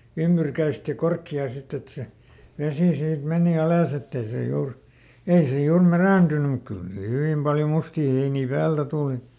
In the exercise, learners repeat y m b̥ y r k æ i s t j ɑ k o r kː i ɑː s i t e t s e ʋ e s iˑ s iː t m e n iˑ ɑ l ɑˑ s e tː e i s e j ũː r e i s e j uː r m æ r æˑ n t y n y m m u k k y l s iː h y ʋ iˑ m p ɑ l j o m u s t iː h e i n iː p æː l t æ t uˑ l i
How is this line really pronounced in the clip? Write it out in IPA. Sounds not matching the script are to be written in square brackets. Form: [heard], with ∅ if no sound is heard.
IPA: y m b̥ y r k æ i s t j ɑ k o r kː i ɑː s i t e t s e ʋ e s iˑ s iː t m e n iˑ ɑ l ɑˑ s e tː e i s e j [uː] r e i s e j uː r m æ r æˑ n t y n y m m u k k y l s iː h y ʋ iˑ m p ɑ l j o m u s t iː h e i n iː p æː l t æ t uˑ l i